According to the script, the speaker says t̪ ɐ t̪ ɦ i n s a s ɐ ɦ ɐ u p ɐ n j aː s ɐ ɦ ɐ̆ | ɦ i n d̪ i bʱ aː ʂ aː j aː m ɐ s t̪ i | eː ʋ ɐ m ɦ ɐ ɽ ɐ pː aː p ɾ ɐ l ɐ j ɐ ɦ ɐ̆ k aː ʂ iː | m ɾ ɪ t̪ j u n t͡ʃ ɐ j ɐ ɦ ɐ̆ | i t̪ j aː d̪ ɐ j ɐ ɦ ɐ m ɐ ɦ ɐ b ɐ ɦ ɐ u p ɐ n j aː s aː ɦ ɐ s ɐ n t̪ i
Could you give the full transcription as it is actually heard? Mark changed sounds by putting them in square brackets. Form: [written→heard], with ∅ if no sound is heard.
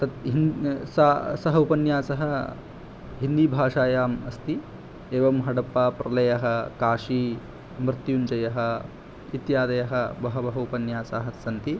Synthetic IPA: t̪ ɐ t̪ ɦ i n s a s ɐ ɦ ɐ u p ɐ n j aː s ɐ ɦ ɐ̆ | ɦ i n d̪ i bʱ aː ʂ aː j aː m ɐ s t̪ i | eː ʋ ɐ m ɦ ɐ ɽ ɐ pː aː p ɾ ɐ l ɐ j ɐ ɦ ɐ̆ k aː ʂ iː | m ɾ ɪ t̪ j u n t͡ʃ ɐ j ɐ ɦ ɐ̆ | i t̪ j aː d̪ ɐ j ɐ ɦ ɐ [m→b] ɐ ɦ ɐ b ɐ ɦ ɐ u p ɐ n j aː s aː ɦ ɐ s ɐ n t̪ i